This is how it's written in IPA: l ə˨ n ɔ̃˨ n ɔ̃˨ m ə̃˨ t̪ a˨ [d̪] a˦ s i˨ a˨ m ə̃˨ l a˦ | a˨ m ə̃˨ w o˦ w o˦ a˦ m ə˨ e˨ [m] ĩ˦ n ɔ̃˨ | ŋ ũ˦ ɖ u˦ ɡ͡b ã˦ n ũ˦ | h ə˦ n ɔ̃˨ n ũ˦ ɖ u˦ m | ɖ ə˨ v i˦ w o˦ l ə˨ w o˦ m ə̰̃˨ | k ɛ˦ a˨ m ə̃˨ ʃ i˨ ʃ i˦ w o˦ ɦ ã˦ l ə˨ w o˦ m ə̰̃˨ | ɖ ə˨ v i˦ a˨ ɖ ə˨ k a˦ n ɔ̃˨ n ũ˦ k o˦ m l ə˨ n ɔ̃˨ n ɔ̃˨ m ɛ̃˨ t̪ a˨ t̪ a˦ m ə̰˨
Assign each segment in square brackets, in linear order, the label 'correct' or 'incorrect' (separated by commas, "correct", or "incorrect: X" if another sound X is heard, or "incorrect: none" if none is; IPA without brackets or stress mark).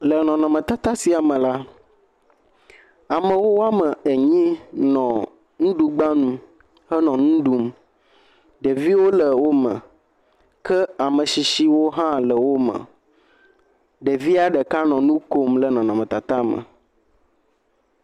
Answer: incorrect: t̪, incorrect: ɲ